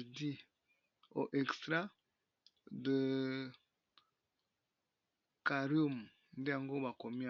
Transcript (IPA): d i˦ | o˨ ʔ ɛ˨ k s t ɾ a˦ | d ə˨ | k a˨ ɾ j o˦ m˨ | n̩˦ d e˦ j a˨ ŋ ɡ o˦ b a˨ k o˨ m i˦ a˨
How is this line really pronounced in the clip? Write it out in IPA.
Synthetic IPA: d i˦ | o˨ ʔ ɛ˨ k s t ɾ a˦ | d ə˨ | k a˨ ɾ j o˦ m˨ | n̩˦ d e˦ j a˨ ŋ ɡ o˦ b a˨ k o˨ m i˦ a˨